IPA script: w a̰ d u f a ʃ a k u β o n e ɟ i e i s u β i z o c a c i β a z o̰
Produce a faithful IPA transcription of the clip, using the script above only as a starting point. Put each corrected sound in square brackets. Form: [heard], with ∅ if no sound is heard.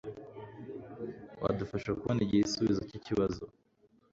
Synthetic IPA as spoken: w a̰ d u f a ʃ a k u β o n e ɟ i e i s u β i z o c [i] c i β a z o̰